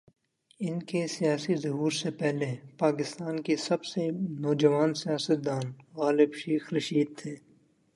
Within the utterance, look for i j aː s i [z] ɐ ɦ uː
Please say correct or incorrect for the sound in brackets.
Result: correct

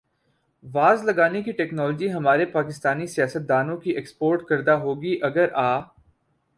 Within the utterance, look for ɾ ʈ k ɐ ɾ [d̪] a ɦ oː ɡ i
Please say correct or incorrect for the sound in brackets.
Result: correct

